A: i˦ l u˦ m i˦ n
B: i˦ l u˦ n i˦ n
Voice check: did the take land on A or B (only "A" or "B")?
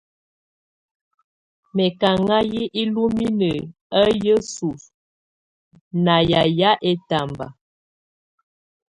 A